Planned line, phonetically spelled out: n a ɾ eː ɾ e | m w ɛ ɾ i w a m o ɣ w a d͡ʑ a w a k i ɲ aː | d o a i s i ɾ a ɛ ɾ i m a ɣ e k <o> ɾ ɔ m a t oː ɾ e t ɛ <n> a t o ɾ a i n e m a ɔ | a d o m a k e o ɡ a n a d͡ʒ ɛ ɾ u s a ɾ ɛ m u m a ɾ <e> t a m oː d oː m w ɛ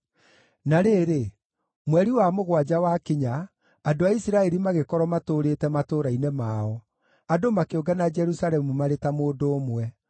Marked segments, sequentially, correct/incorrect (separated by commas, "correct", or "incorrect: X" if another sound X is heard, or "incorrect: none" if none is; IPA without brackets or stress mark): incorrect: ɔ, incorrect: m, correct